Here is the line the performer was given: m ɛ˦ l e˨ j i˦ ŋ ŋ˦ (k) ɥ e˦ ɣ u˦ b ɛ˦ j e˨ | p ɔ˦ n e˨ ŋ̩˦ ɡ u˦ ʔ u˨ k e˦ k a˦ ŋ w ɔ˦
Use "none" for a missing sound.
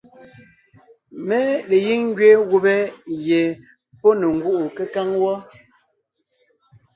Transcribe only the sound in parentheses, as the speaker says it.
ɡ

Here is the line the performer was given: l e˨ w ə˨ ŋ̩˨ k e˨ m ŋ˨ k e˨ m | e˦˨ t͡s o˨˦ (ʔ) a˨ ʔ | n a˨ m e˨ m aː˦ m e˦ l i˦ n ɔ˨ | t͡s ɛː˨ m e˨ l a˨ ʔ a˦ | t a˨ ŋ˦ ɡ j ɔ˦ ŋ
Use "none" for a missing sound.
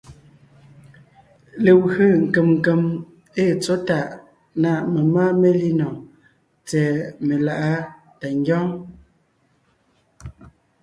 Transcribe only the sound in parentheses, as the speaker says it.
t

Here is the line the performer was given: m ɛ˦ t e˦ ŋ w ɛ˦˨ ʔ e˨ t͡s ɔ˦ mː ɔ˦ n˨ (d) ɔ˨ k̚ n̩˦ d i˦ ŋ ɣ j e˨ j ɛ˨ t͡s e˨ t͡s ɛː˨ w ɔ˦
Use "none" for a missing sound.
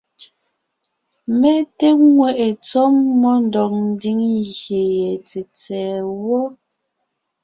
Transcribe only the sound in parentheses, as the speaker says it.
d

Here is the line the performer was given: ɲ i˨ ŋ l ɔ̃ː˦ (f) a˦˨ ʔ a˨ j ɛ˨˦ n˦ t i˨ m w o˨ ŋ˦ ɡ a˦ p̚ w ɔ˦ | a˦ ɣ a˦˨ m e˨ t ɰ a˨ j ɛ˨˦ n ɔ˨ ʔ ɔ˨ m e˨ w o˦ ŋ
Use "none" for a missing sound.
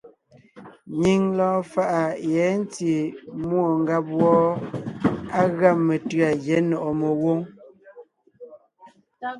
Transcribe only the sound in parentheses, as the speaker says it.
f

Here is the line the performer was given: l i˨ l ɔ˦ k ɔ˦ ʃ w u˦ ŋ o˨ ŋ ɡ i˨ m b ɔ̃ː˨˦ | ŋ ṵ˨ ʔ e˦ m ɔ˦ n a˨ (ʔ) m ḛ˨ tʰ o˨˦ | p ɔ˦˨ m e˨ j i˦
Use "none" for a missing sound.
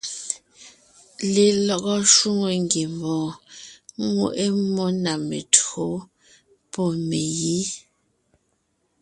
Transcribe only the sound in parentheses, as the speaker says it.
none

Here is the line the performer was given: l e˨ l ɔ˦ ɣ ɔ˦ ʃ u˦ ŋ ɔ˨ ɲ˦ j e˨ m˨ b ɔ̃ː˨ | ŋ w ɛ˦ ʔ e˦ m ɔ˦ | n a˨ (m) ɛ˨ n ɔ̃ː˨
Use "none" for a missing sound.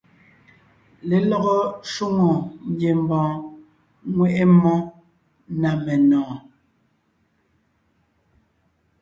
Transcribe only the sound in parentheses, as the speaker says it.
m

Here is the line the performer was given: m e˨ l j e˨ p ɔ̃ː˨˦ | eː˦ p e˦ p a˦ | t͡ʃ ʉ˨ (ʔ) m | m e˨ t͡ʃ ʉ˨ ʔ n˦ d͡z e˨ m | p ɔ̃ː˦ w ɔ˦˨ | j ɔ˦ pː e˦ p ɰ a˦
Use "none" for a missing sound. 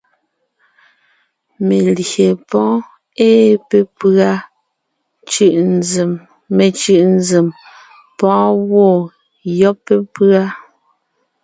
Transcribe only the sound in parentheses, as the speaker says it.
ʔ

